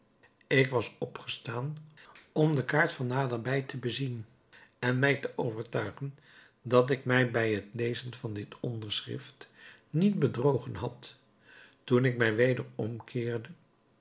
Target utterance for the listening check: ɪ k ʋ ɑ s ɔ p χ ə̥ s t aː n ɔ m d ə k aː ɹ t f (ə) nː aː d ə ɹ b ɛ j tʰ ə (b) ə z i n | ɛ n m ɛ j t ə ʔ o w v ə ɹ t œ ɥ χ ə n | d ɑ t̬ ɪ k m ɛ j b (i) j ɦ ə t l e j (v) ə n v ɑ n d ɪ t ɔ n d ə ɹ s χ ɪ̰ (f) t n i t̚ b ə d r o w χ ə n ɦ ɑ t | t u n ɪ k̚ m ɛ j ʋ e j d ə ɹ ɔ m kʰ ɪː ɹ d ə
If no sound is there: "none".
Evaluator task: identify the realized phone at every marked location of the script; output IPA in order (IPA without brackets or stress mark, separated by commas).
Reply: ɑ, b, ɛ, z, f